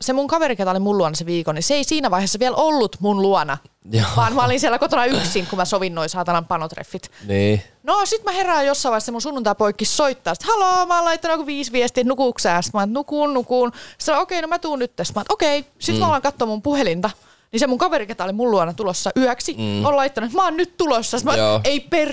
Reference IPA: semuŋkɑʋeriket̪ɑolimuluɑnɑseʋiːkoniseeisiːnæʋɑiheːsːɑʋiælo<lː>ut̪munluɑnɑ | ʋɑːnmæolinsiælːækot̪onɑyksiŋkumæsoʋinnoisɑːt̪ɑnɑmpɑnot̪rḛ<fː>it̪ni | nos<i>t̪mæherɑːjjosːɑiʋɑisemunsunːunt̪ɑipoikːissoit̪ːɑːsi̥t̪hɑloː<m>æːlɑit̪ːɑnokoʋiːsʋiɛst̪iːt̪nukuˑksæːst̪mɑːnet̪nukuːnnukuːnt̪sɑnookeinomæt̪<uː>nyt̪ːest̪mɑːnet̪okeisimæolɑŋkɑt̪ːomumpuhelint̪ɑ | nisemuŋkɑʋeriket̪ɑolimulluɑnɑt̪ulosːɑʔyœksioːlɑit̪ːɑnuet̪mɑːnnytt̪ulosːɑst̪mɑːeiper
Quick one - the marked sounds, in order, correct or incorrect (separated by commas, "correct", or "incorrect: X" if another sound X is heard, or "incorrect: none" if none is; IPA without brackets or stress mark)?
correct, correct, correct, correct, correct